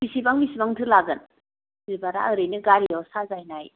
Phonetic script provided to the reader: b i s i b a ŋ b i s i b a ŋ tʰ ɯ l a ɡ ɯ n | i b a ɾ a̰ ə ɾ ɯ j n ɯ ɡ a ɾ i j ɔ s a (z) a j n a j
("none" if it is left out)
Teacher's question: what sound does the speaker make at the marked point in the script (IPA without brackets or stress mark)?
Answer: z